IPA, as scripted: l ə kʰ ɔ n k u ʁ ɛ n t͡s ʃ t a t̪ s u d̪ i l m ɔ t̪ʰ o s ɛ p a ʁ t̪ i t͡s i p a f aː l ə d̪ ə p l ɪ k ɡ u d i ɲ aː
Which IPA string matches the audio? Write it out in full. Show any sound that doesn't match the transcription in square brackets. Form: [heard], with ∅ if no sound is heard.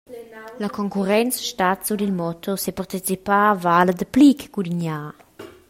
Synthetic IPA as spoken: l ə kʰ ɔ [ŋ] k u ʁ ɛ n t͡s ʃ t a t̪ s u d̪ i l m ɔ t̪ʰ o s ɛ p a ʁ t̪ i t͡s i p a [v] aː l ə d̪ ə p l [i] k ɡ u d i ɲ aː